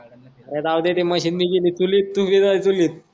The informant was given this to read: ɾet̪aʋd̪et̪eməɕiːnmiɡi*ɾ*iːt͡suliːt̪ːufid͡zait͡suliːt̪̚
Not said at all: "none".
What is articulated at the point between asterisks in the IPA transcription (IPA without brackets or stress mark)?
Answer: l